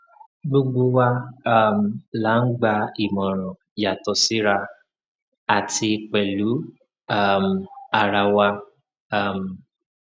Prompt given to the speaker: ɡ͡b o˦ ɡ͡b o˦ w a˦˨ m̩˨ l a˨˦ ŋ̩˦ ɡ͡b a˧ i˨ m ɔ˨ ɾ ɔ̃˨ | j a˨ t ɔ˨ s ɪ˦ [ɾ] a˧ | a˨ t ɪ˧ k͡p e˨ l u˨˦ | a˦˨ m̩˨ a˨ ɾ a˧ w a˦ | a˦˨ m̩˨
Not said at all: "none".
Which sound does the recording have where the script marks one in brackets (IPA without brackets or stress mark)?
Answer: ɾ